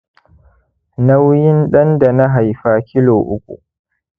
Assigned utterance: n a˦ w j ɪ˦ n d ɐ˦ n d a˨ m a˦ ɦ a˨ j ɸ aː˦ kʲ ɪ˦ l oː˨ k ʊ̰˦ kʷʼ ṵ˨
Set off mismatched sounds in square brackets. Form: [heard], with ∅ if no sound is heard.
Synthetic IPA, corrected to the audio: n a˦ w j ɪ˦ n [ɗ] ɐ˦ n d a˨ [n] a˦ ɦ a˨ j ɸ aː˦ kʲ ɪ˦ l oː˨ [ʔ] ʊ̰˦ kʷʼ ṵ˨

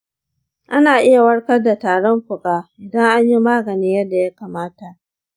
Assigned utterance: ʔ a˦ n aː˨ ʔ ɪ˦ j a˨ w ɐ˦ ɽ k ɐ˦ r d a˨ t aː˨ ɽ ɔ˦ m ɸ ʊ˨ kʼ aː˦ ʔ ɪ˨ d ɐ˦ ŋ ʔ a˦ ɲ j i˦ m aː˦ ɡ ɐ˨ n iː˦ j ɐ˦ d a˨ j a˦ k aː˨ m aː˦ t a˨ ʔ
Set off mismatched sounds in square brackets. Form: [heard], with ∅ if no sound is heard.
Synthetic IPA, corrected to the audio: ʔ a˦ n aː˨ ʔ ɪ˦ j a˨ w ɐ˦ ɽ k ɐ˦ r d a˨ t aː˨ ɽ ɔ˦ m ɸ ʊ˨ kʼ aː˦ ʔ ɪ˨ d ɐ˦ ŋ ʔ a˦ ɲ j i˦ m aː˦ ɡ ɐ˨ n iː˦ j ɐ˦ d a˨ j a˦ k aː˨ m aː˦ t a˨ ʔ

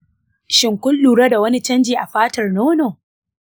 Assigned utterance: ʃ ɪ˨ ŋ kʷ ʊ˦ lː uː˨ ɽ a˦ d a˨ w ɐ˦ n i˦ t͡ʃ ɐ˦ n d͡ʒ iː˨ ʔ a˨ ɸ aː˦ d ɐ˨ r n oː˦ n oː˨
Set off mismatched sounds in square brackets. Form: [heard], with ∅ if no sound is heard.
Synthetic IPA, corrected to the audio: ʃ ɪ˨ ŋ kʷ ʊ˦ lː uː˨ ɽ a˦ d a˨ w ɐ˦ n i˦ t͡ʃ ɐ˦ n d͡ʒ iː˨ ʔ a˨ ɸ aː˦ [t] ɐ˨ r n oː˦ n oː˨

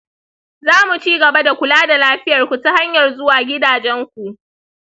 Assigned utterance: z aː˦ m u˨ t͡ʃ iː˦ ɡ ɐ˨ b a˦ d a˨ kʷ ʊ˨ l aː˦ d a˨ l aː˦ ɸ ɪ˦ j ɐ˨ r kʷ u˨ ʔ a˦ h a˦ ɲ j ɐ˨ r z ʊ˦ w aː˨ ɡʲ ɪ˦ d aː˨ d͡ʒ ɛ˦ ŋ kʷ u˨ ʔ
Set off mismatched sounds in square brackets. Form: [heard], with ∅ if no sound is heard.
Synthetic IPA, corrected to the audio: z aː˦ m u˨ t͡ʃ iː˦ ɡ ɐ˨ b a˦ d a˨ kʷ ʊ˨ l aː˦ d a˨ l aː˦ ɸ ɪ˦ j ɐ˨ r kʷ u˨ [t] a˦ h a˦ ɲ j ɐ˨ r z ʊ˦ w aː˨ ɡʲ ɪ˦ d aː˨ d͡ʒ ɛ˦ ŋ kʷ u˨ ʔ

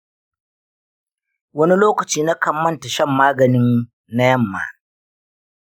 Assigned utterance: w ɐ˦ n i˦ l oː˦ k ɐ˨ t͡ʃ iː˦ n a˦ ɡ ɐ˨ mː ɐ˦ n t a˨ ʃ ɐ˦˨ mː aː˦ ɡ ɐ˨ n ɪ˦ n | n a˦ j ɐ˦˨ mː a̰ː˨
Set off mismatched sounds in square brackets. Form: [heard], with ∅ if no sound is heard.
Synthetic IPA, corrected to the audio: w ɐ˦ n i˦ l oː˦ k ɐ˨ t͡ʃ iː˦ n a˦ [k] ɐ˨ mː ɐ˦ n t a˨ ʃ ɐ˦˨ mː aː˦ ɡ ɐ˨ n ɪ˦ n | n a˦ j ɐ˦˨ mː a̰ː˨

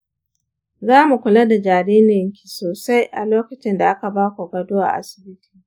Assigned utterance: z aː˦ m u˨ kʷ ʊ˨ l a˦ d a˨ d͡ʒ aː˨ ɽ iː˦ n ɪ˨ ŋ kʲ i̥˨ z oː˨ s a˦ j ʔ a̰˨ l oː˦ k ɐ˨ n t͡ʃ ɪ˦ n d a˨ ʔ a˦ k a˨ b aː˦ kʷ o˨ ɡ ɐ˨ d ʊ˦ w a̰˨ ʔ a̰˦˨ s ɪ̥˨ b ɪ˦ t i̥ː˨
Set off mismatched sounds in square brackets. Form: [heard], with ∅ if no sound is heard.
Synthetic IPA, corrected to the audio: z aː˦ m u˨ kʷ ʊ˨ l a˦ d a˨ d͡ʒ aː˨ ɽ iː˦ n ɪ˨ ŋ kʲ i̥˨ [s] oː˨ s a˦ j ʔ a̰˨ l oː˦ k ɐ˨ [∅] t͡ʃ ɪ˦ n d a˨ ʔ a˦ k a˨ b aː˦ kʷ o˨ ɡ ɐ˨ d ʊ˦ w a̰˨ ʔ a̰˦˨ s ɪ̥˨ b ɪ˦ t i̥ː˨

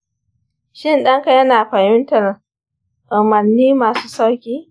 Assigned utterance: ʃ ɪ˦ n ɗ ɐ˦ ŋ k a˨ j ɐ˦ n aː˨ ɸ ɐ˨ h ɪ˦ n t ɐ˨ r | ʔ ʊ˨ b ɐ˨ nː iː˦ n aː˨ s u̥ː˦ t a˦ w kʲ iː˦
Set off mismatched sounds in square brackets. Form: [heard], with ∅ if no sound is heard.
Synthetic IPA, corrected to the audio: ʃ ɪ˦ n ɗ ɐ˦ ŋ k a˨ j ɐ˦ n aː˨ ɸ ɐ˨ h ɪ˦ n t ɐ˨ r | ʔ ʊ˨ [m] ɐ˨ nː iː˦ [m] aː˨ s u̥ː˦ [s] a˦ w kʲ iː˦

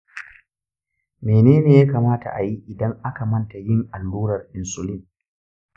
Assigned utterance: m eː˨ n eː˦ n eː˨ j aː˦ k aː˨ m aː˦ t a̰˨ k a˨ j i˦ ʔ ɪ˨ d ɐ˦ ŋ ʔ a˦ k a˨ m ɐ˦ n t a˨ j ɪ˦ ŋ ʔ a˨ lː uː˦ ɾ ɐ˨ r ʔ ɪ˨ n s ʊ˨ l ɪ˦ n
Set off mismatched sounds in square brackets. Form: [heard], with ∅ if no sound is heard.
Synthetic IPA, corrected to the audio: m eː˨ n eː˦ n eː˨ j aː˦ k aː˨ m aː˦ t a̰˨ [ʔ] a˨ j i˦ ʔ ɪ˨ d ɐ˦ ŋ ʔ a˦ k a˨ m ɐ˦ n t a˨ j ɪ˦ ŋ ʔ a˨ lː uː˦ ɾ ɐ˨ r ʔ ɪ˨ n s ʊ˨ l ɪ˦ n

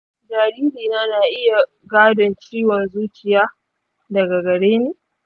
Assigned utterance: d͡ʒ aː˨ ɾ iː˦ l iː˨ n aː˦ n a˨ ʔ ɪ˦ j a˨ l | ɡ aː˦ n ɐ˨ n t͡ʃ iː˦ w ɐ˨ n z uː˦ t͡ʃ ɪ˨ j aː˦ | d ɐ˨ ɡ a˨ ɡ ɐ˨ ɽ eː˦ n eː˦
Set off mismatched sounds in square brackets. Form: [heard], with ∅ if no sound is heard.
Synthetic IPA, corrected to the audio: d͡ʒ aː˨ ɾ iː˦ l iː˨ n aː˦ n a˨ ʔ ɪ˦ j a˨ [∅] | ɡ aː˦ [d] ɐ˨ n t͡ʃ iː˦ w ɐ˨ n z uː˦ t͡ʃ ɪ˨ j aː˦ | d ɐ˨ ɡ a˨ ɡ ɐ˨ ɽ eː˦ n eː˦

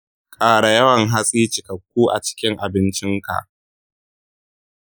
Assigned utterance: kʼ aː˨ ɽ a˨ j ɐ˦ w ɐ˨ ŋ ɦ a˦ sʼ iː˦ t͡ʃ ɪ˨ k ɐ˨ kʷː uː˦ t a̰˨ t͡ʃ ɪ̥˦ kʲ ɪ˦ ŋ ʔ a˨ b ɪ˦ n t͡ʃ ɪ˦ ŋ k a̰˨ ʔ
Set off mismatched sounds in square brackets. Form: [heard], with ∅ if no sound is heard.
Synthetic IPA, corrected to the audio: kʼ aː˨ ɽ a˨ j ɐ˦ w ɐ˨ ŋ ɦ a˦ sʼ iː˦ t͡ʃ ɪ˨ k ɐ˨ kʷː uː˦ [ʔ] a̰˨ t͡ʃ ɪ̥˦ kʲ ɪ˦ ŋ ʔ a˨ b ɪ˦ n t͡ʃ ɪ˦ ŋ k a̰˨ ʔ

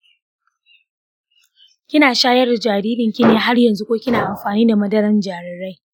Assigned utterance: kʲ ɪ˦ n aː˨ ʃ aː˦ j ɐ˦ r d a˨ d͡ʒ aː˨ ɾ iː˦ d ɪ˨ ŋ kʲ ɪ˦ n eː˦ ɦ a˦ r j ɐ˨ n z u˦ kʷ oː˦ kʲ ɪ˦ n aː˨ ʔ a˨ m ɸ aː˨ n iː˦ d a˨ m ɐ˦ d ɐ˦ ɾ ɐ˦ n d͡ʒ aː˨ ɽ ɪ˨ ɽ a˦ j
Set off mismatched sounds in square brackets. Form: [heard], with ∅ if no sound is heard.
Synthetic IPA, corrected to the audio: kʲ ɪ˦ n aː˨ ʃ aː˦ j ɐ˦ r d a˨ d͡ʒ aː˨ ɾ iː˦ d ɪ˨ ŋ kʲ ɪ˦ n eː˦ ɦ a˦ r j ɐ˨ n z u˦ kʷ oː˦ kʲ ɪ˦ n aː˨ ʔ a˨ m ɸ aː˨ n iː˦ d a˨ m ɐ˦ d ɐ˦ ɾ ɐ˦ n d͡ʒ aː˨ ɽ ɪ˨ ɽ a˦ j

